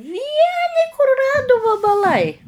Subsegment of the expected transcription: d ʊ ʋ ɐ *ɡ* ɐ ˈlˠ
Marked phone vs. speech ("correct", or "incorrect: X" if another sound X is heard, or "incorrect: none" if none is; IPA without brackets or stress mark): incorrect: b